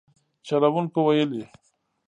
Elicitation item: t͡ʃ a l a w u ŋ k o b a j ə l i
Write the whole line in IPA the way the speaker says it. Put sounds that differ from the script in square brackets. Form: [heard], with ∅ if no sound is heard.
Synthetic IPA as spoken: t͡ʃ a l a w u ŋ k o [w] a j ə l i